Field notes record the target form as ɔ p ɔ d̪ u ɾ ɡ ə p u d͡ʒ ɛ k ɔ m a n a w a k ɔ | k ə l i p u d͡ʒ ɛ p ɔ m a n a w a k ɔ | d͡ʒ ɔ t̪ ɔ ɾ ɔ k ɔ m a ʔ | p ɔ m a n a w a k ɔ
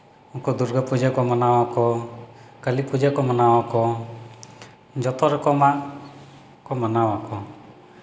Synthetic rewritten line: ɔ k ɔ d̪ u ɾ ɡ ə p u d͡ʒ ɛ k ɔ m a n a w a k ɔ | k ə l i p u d͡ʒ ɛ k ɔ m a n a w a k ɔ | d͡ʒ ɔ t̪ ɔ ɾ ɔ k ɔ m a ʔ | k ɔ m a n a w a k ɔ